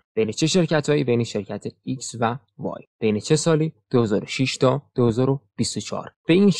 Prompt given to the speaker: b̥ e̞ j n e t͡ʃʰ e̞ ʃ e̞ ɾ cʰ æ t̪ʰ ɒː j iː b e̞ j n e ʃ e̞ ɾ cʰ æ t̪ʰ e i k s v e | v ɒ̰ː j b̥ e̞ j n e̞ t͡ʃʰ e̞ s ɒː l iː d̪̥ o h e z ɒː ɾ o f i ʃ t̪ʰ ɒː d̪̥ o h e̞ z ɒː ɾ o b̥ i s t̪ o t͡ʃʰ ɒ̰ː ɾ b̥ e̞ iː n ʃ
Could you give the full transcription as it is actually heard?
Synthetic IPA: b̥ e̞ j n e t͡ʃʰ e̞ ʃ e̞ ɾ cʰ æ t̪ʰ ɒː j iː b e̞ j n e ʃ e̞ ɾ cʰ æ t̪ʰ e i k s v æ | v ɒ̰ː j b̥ e̞ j n e̞ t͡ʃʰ e̞ s ɒː l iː d̪̥ o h e z ɒː ɾ o ʃ i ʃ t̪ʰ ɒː d̪̥ o h e̞ z ɒː ɾ o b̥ i s t̪ o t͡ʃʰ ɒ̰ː ɾ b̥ e̞ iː n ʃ